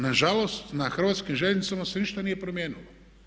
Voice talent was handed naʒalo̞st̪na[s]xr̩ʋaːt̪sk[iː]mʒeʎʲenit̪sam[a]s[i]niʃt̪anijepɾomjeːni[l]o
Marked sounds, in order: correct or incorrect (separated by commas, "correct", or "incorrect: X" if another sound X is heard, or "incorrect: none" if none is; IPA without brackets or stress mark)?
incorrect: none, incorrect: i, correct, incorrect: e, correct